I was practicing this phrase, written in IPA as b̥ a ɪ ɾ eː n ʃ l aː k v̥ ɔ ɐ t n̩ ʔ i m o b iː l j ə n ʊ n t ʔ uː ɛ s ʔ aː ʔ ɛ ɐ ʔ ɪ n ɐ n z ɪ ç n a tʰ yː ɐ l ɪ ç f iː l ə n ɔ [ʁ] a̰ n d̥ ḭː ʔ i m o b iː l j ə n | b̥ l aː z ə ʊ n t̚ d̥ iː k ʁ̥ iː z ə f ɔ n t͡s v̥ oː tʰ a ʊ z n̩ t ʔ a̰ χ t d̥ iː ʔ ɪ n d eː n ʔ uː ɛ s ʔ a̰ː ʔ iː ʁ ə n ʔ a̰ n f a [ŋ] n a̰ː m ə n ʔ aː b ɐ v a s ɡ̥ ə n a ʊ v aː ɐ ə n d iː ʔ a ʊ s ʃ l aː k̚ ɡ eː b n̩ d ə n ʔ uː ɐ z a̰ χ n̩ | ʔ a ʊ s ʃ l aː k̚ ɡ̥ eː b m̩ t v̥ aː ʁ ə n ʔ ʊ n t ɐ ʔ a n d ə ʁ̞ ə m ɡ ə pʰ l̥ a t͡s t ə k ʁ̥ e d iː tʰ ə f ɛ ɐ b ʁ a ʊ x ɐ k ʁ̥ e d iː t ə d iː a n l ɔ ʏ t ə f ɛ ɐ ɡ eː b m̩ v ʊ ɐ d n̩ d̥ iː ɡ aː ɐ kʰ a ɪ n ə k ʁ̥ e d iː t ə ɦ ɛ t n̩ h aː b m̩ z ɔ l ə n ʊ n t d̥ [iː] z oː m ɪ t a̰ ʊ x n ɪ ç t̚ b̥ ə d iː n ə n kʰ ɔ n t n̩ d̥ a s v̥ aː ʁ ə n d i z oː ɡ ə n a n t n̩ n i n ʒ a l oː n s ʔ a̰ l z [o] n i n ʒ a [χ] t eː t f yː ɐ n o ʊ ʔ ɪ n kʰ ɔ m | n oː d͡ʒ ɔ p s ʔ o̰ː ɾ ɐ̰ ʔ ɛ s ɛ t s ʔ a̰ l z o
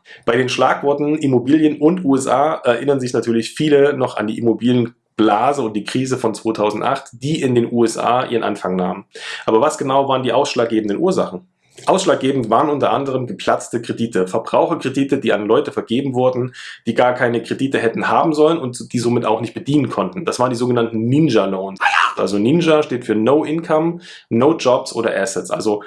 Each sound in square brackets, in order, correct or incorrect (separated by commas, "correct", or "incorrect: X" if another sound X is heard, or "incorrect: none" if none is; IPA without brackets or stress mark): incorrect: χ, correct, correct, correct, incorrect: ʃ